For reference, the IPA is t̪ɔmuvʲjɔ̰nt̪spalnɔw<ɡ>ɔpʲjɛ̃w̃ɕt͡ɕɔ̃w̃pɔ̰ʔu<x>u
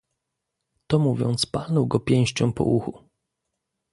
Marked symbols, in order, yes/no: yes, yes

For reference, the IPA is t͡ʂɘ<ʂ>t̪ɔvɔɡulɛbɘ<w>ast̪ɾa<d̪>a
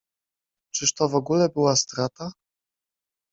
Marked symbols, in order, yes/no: yes, yes, no

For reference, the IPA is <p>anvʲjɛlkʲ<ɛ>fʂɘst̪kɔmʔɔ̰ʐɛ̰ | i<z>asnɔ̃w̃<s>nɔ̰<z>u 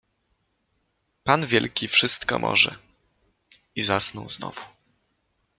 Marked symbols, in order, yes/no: yes, no, yes, no, no

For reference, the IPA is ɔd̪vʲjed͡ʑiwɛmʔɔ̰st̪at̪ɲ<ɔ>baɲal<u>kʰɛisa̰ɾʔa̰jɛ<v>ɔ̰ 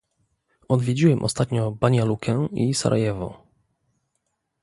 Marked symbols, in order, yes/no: yes, yes, yes

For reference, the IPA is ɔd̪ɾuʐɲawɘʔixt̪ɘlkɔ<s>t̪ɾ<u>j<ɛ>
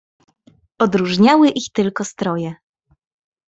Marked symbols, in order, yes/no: yes, no, yes

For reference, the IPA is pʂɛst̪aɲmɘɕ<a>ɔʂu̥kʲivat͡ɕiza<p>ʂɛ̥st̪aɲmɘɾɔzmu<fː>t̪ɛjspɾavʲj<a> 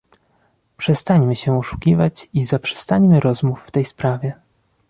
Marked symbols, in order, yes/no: no, yes, yes, no

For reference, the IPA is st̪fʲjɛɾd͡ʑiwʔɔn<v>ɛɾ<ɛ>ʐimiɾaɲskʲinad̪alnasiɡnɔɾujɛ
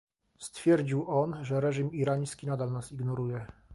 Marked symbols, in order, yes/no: no, yes

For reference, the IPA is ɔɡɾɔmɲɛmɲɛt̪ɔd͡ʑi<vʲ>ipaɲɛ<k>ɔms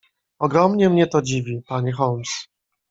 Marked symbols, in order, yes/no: yes, no

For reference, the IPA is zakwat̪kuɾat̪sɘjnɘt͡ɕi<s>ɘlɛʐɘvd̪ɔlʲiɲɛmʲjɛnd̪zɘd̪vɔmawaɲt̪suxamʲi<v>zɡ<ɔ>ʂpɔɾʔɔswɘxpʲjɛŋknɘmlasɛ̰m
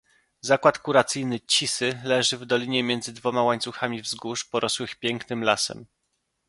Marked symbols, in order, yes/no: yes, yes, no

